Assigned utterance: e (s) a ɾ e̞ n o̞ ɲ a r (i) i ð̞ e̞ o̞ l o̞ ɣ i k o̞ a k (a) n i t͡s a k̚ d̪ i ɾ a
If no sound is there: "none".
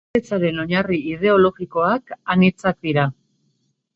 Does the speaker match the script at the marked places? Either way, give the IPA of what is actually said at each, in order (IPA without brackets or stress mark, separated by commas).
t͡s, i, a